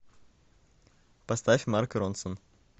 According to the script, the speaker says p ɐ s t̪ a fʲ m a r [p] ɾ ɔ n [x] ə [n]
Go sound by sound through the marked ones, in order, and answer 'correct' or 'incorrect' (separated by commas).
incorrect, incorrect, correct